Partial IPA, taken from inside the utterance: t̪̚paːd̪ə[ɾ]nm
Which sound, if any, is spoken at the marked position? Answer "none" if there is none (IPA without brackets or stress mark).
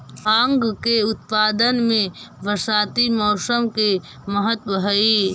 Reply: none